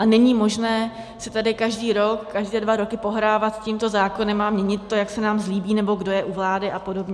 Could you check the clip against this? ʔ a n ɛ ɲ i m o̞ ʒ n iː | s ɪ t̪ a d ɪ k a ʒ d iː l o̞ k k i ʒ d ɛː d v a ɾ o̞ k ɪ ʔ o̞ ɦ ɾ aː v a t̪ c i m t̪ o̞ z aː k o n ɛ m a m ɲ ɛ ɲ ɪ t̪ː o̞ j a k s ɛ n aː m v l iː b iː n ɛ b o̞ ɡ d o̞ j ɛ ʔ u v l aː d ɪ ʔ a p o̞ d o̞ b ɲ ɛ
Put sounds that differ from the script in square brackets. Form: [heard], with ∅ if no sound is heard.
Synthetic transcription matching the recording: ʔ a n ɛ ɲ i m o̞ ʒ n [ɛː] | s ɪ t̪ a d ɪ k a ʒ d iː [ɾ] o̞ k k [a] ʒ d ɛː d v a ɾ o̞ k ɪ [p] o̞ ɦ ɾ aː v a t̪ c i m t̪ o̞ z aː k o n ɛ m a m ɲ ɛ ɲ ɪ t̪ː o̞ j a k s ɛ n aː m [z] l iː b iː n ɛ b o̞ ɡ d o̞ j ɛ ʔ u v l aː d ɪ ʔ a p o̞ d o̞ b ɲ ɛ